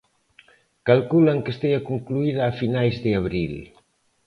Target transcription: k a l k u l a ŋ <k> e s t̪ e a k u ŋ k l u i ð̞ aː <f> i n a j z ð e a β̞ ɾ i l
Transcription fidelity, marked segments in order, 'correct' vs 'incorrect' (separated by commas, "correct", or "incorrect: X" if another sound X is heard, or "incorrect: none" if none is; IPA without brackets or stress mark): correct, correct